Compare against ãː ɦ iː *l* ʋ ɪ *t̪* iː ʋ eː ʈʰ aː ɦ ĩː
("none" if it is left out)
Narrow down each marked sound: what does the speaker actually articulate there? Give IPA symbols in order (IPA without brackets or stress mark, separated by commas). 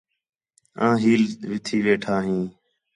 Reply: l, t̪ʰ